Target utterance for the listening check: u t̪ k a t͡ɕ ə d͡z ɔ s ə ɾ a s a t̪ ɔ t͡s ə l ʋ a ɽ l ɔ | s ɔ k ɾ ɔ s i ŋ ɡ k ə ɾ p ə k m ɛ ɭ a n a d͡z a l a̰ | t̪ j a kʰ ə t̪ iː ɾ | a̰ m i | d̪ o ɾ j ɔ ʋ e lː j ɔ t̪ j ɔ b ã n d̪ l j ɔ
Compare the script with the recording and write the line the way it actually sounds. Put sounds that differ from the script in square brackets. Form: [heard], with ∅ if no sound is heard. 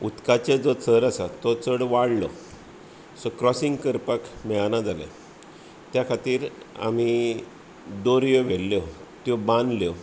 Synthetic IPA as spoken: u t̪ k a t͡ɕ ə d͡z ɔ [t͡s] ə ɾ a s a t̪ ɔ t͡s ə [ɽ] ʋ a ɽ l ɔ | s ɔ k ɾ ɔ s i ŋ ɡ k ə ɾ p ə k m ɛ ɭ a n a d͡z a l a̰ | t̪ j a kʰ [a] t̪ iː ɾ | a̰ m i | d̪ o ɾ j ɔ ʋ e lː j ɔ t̪ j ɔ b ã n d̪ l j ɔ